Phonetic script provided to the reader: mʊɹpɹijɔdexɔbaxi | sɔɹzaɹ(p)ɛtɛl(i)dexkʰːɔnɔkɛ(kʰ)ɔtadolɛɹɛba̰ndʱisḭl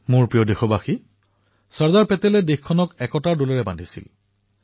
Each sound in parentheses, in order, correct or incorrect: correct, incorrect: ɛ, incorrect: k

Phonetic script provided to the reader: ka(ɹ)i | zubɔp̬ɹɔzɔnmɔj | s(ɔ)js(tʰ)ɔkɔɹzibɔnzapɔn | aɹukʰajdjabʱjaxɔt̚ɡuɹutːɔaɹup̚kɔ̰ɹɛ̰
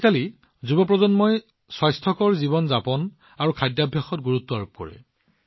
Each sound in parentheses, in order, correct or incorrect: incorrect: l, correct, correct

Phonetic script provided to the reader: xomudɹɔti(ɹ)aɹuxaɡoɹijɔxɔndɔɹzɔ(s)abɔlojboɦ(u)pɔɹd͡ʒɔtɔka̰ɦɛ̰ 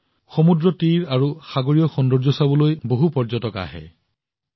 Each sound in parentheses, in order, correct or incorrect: correct, correct, correct

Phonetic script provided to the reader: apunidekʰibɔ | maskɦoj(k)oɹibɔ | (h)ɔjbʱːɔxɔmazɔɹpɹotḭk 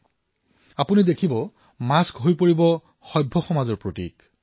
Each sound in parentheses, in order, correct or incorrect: incorrect: p, incorrect: x

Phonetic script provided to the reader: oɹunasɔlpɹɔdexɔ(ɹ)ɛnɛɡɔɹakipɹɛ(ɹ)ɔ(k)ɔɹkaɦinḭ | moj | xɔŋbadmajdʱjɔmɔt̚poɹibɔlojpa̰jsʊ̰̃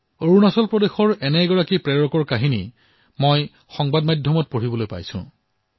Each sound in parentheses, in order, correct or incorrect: correct, correct, correct

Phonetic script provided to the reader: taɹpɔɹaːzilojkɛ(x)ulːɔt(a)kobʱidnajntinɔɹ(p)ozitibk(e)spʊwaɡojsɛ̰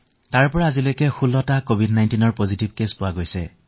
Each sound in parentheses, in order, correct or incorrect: correct, correct, correct, correct

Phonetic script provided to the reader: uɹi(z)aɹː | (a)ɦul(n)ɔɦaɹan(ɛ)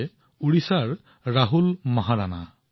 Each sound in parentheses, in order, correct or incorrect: incorrect: s, correct, incorrect: m, incorrect: a

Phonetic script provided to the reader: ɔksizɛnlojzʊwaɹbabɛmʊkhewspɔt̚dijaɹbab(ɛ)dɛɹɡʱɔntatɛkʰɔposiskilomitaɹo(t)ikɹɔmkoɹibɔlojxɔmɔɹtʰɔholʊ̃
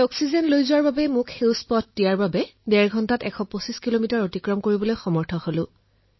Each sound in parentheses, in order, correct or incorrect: correct, correct

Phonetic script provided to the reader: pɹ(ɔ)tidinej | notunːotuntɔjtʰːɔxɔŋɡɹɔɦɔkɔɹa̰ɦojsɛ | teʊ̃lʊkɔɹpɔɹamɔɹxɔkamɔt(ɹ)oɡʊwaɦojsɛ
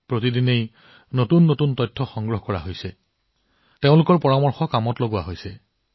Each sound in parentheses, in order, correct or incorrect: incorrect: o, incorrect: l

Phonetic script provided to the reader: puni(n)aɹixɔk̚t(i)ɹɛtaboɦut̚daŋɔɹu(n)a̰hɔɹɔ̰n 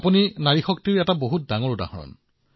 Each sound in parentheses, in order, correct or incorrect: correct, correct, incorrect: d

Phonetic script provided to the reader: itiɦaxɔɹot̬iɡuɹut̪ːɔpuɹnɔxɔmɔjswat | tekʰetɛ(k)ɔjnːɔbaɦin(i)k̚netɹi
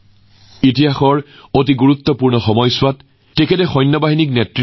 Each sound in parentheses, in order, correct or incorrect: incorrect: x, correct

